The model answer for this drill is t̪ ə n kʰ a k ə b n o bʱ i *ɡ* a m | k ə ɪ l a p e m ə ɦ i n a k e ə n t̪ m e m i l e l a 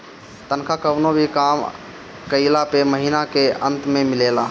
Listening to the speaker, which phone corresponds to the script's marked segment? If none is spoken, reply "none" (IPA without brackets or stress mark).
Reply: k